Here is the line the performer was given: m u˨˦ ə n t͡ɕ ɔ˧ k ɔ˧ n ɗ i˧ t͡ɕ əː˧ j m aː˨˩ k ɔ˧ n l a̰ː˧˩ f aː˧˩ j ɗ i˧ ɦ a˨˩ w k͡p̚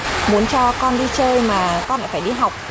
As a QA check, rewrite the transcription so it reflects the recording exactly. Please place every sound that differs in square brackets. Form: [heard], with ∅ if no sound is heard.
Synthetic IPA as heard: m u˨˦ ə n t͡ɕ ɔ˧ k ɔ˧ n ɗ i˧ t͡ɕ əː˧ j m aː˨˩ k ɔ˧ n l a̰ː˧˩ f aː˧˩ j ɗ i˧ ɦ a˨˩ w k͡p̚